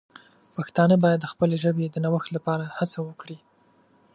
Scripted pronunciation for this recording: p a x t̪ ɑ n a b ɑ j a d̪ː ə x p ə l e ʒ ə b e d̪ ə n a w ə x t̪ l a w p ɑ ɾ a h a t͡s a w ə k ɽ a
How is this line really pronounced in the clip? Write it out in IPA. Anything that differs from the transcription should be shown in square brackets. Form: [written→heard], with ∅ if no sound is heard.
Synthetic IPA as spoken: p a x t̪ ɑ n [a→ə] b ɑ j a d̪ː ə x p ə l e ʒ ə b e d̪ ə n a w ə x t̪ l a [w→∅] p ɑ ɾ a h a t͡s a w ə k ɽ [a→i]